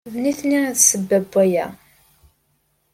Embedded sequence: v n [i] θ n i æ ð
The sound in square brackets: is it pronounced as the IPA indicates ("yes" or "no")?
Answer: yes